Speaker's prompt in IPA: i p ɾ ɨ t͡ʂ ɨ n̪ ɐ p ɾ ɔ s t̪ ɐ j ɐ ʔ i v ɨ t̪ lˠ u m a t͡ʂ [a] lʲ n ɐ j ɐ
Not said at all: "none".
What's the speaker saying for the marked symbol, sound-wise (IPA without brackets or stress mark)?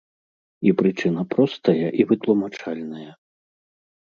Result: a